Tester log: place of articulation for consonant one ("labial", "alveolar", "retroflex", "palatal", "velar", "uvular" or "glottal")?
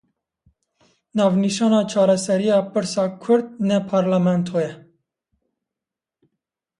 alveolar